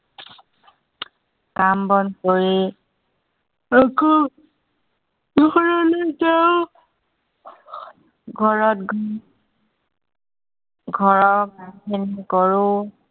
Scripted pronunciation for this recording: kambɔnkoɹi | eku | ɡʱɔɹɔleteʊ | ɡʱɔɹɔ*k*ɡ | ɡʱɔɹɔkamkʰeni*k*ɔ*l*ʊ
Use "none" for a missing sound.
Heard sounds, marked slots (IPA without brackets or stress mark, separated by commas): t, k, ɹ